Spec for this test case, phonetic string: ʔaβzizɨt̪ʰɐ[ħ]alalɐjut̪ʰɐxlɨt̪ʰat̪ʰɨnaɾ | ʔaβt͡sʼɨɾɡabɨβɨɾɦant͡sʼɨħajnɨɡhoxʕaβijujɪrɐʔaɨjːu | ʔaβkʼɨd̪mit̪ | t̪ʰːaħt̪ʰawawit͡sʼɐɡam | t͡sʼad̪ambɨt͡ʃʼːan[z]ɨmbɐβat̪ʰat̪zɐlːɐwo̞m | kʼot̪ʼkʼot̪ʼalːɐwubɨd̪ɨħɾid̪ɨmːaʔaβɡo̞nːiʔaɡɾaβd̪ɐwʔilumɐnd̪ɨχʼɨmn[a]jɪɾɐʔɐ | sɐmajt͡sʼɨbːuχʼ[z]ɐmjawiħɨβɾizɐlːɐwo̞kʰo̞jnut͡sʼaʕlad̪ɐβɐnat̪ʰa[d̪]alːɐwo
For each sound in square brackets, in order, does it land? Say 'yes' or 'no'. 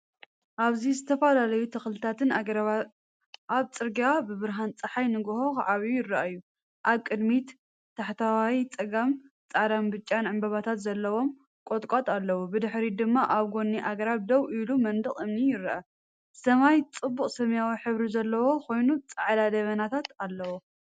no, no, no, no, no

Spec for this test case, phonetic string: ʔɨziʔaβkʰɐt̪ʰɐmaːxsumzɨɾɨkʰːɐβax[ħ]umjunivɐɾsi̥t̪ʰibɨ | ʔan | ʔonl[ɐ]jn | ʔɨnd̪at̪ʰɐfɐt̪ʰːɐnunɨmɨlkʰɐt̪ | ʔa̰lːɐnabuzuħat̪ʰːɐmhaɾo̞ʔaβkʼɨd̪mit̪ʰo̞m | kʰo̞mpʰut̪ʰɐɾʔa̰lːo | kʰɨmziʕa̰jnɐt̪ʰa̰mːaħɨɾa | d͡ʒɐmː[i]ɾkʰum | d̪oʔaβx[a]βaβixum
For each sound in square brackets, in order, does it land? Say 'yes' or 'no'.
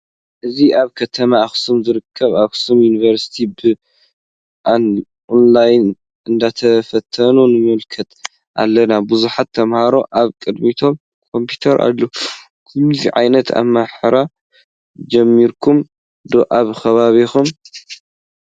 no, no, yes, no

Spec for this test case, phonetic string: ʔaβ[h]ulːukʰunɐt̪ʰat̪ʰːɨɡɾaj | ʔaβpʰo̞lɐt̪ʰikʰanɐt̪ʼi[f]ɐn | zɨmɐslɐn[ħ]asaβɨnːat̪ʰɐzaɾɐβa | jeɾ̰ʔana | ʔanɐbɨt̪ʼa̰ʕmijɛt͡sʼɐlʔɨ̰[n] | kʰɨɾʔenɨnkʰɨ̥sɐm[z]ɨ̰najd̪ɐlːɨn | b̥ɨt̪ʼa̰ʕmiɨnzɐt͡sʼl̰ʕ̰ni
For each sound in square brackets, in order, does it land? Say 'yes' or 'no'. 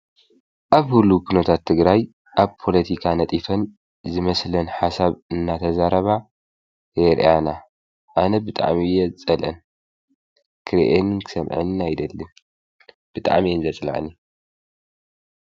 yes, yes, yes, yes, no

